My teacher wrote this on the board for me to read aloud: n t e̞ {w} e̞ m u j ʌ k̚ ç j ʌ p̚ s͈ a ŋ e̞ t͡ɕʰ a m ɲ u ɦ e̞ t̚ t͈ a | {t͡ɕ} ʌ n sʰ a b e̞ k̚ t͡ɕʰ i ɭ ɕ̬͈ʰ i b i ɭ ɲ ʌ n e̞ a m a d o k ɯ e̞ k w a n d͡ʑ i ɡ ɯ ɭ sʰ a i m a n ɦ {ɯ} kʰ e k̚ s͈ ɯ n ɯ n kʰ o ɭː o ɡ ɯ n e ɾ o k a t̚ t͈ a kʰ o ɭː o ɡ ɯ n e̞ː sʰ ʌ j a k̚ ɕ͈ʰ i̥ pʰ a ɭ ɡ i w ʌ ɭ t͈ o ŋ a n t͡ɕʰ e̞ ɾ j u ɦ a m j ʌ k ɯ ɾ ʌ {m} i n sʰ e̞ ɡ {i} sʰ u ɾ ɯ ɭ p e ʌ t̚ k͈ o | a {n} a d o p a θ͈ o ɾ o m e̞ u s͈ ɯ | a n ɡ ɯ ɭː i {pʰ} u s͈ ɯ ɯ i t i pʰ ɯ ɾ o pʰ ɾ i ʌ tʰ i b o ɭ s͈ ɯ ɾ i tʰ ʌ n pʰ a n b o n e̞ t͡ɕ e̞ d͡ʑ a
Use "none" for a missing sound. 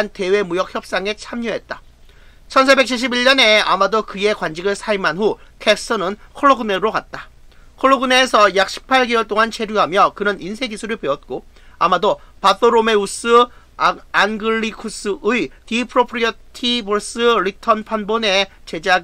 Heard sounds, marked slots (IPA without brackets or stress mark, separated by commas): w, t͡ɕʰ, u, n, i, m, kʰ